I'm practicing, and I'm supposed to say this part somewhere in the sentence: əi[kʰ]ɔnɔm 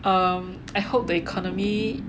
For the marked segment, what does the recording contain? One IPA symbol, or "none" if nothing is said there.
kʰ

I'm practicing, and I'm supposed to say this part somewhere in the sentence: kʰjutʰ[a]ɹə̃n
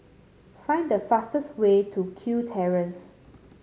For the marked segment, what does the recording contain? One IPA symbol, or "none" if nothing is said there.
ɛ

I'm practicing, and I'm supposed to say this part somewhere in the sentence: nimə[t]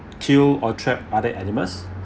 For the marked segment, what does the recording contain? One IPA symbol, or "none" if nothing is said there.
s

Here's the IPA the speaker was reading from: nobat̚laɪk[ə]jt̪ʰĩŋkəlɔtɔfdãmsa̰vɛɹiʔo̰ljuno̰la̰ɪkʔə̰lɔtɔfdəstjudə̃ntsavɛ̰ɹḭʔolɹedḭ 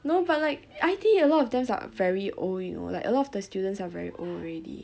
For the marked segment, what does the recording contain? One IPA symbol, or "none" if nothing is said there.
a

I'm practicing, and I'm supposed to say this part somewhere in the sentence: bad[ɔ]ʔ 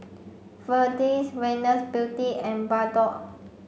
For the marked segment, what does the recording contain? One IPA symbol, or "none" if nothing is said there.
ɔ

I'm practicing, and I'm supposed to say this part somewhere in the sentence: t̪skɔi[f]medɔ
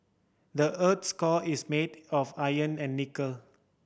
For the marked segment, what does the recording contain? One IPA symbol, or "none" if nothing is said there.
s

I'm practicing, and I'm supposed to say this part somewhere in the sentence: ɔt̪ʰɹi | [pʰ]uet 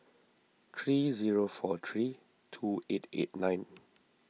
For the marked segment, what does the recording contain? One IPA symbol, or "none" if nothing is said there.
tʰ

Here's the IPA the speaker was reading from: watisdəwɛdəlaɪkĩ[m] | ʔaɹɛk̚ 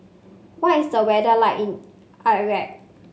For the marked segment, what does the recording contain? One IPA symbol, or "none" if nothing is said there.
n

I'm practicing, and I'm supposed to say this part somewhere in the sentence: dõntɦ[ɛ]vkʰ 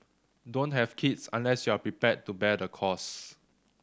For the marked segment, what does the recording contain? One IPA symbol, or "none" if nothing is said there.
ɛ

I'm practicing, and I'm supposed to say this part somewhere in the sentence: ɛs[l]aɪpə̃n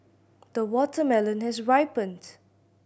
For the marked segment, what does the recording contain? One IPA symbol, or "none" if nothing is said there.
ɹ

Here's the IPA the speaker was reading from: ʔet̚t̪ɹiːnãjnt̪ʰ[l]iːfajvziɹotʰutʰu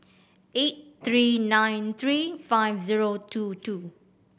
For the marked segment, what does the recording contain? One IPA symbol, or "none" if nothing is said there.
ɹ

